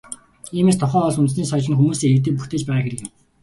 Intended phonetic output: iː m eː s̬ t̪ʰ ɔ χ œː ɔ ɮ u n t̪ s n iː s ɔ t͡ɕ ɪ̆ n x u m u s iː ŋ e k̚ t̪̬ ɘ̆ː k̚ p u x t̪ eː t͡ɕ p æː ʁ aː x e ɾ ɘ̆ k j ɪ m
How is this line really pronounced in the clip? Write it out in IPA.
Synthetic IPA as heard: iː m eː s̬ t̪ʰ ɔ χ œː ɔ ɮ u n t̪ s n iː s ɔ t͡ɕ ɪ̆ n x u m uː s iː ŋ e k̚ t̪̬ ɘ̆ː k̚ p u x t̪ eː t͡ɕ p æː ʁ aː x e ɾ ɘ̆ k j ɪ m